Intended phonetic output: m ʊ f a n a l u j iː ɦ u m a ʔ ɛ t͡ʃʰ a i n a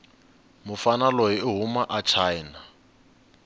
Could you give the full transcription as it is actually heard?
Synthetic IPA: m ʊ f a n a l ɔ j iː ɦ u m a ʔ a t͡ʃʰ a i n a